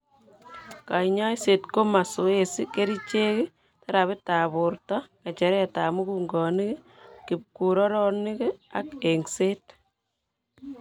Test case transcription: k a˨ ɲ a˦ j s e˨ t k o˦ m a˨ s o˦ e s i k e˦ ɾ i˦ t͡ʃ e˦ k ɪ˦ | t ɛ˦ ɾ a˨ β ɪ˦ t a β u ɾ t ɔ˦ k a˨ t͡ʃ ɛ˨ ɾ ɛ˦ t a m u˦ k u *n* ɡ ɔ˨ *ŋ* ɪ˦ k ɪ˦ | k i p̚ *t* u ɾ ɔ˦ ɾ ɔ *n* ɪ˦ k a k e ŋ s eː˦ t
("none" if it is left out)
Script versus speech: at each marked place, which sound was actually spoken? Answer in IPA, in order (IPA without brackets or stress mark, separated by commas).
ŋ, n, k, n